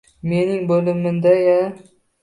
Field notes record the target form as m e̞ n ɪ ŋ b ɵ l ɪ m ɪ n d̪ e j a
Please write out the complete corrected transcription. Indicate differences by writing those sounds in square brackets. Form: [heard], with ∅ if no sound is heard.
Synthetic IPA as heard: m e̞ n ɪ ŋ b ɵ l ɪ m ɪ n d̪ [a] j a